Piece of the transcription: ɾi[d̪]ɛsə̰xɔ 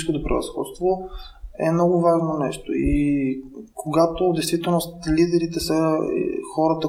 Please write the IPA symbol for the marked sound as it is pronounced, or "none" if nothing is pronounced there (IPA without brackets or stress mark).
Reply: t̪